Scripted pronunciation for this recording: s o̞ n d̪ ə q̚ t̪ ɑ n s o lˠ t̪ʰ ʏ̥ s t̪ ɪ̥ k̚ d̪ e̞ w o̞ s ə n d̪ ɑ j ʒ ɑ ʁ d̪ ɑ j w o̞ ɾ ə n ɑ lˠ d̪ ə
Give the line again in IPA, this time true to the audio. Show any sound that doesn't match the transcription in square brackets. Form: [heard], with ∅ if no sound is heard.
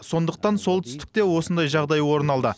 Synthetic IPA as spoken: s o̞ n d̪ ə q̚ t̪ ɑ n s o lˠ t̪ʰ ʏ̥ s t̪ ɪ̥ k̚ [t̪] e̞ w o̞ s ə n d̪ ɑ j ʒ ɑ ʁ d̪ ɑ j w o̞ ɾ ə n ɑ lˠ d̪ ə

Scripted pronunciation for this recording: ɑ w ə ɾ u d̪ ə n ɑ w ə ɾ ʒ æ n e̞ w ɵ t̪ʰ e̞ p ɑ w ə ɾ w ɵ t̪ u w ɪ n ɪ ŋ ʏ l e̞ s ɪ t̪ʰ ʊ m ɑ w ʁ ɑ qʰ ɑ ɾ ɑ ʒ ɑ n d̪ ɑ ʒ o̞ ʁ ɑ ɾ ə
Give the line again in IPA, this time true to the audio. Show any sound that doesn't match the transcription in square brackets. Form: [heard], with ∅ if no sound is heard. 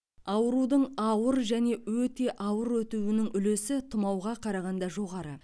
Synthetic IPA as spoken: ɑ w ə ɾ u d̪ ə [ɴ] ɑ w ə ɾ ʒ æ n e̞ w ɵ [t̪] e̞ [ʔ] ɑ w ə ɾ w ɵ t̪ u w ɪ n ɪ ŋ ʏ l e̞ s ɪ t̪ʰ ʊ m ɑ w ʁ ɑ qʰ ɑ ɾ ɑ [ʁ] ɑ n d̪ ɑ ʒ o̞ ʁ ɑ ɾ ə

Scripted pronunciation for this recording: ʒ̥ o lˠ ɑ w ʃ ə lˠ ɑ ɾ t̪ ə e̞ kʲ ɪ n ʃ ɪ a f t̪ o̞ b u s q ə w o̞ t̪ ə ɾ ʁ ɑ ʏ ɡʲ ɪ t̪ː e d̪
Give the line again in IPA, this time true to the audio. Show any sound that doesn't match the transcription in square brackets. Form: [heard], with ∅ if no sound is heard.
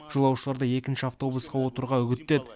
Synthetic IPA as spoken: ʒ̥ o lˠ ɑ w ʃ ə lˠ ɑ ɾ [d̪] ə e̞ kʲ ɪ n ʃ ɪ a f t̪ o̞ b u s q [ɑ] w o̞ t̪ ə ɾ ʁ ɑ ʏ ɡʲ ɪ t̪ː e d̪

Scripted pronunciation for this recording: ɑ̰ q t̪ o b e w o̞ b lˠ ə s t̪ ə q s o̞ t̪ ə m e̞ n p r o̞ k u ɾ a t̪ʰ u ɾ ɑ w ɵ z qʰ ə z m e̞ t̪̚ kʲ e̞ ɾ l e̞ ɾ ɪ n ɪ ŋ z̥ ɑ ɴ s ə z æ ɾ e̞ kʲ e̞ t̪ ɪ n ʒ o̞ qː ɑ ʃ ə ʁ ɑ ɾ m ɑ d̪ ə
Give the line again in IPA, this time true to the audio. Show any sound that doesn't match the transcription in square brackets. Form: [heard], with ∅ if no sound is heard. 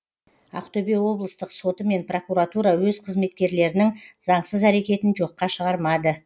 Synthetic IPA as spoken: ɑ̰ q t̪ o b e w o̞ b lˠ ə s t̪ ə q s o̞ t̪ ə m e̞ n p r o̞ k u ɾ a [t̪] u ɾ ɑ w ɵ z qʰ ə z m e̞ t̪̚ kʲ e̞ ɾ l e̞ ɾ ɪ n ɪ ŋ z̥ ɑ ɴ s ə z æ ɾ e̞ kʲ e̞ t̪ ɪ n ʒ o̞ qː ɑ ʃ ə ʁ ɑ ɾ m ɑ d̪ ə

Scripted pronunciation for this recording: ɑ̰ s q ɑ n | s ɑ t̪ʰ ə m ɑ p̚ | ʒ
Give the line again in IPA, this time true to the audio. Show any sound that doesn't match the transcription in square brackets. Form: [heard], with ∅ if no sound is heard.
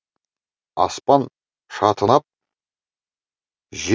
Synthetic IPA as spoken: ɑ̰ s [p] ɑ n | [ʃ] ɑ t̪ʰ ə [n] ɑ p̚ | ʒ

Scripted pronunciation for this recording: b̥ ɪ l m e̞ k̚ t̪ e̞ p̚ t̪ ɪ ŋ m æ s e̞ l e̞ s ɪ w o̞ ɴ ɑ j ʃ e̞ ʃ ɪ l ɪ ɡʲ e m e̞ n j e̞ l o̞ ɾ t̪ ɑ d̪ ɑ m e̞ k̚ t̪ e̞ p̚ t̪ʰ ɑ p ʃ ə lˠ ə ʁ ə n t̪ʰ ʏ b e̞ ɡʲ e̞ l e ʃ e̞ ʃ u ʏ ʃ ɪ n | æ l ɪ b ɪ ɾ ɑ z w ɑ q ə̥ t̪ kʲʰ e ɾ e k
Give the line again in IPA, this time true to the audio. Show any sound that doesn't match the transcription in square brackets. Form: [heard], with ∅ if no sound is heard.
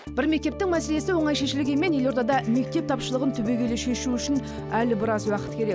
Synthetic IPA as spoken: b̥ ɪ [ɾ] m e̞ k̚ t̪ e̞ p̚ t̪ ɪ ŋ m æ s e̞ l e̞ s ɪ w o̞ ɴ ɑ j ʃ e̞ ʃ ɪ l ɪ ɡʲ e m e̞ n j e̞ l o̞ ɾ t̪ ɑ d̪ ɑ m e̞ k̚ t̪ e̞ p̚ t̪ʰ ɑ p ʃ ə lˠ ə ʁ ə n t̪ʰ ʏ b e̞ ɡʲ e̞ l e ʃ e̞ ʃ u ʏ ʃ ɪ n | æ l ɪ b ɪ ɾ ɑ z w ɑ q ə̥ t̪ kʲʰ e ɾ e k

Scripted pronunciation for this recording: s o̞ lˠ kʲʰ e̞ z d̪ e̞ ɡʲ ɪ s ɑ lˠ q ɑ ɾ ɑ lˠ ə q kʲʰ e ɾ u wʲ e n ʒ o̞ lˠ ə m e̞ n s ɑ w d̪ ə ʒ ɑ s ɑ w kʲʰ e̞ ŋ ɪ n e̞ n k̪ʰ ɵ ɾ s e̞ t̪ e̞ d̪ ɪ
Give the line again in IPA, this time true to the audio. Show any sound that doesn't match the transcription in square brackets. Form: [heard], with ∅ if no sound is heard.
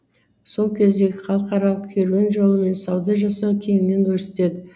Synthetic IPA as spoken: s o̞ lˠ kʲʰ e̞ z d̪ e̞ ɡʲ ɪ [χ] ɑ lˠ q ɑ ɾ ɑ lˠ ə q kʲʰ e ɾ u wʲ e n ʒ o̞ lˠ ə m e̞ n s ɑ w d̪ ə ʒ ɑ s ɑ w kʲʰ e̞ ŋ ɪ n e̞ n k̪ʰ ɵ ɾ s e̞ t̪ e̞ d̪ ɪ

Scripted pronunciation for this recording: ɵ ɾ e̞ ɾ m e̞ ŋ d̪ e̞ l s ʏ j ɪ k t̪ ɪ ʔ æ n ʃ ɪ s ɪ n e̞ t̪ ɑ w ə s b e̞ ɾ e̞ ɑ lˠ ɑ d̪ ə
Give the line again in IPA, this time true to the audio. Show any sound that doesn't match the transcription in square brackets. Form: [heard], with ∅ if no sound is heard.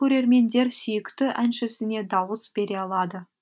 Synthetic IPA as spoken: ɵ ɾ e̞ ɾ m e̞ [n] d̪ e̞ [ɾ] s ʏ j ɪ k t̪ ɪ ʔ æ n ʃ ɪ s ɪ n e̞ [d̪] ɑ w ə s b e̞ ɾ e̞ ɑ lˠ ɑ d̪ ə

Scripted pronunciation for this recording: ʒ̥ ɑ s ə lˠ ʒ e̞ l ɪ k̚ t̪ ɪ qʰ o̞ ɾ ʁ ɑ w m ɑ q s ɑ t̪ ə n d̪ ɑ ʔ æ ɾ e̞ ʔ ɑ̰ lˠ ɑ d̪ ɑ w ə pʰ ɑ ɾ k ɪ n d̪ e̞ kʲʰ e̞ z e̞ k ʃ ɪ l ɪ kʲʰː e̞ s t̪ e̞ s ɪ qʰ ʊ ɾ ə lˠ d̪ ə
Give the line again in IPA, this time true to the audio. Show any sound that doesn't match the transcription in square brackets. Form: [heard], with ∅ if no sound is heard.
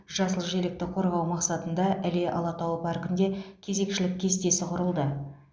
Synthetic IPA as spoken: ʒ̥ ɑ s ə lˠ ʒ e̞ l ɪ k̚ t̪ ɪ qʰ o̞ ɾ ʁ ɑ w m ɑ q s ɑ t̪ ə n d̪ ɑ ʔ æ [l] e̞ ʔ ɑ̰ lˠ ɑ [t̪] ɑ w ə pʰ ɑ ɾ k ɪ n d̪ e̞ kʲʰ e̞ z e̞ k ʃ ɪ l ɪ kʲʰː e̞ s t̪ e̞ s ɪ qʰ ʊ ɾ ə lˠ d̪ ə

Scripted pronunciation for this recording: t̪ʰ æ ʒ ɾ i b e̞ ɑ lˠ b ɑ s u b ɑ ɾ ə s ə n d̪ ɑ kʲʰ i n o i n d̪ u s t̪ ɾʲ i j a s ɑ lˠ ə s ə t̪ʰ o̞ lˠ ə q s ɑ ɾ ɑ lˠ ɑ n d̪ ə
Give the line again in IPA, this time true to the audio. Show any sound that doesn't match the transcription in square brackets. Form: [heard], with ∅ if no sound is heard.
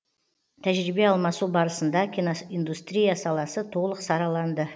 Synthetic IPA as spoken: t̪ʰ æ ʒ ɾ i b e̞ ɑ lˠ [m] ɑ s u b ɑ ɾ ə s ə n d̪ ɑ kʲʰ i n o i n d̪ u s t̪ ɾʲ i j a s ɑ lˠ [ɑ] s ə t̪ʰ o̞ lˠ ə q s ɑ ɾ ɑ lˠ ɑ n d̪ ə

